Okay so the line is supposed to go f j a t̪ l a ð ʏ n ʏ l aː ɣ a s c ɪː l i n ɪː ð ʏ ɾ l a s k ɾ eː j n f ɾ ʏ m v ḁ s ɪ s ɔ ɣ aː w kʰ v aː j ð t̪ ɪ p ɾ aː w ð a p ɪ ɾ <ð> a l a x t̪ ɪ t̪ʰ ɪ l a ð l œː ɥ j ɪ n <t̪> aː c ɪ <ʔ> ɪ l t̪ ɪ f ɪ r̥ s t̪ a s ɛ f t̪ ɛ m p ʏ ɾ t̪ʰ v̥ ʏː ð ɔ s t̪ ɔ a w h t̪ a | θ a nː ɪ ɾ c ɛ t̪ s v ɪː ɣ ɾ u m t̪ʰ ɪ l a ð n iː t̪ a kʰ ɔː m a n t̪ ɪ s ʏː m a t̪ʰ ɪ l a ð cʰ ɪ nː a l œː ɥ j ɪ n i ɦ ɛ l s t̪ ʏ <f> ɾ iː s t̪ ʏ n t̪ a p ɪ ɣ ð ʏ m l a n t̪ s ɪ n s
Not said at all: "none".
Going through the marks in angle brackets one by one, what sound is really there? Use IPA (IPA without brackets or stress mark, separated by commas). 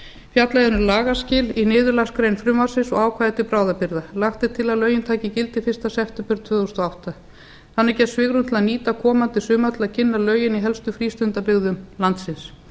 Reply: ð, t̪ʰ, c, f